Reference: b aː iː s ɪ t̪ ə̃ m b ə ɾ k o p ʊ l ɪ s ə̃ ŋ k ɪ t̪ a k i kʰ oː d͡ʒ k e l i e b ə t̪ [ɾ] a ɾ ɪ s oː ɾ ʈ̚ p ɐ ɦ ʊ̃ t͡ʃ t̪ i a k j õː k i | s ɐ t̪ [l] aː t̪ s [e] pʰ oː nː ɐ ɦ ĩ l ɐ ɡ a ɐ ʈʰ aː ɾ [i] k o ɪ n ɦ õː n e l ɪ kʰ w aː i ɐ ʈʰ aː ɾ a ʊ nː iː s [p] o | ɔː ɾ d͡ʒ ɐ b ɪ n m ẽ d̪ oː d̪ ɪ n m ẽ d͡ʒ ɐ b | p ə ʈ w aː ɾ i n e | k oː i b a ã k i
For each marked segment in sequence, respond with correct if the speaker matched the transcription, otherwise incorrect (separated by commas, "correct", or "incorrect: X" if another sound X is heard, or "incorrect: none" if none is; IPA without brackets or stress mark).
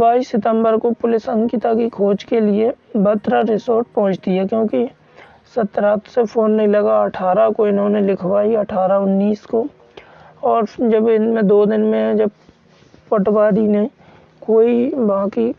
correct, incorrect: ɾ, correct, incorrect: a, incorrect: k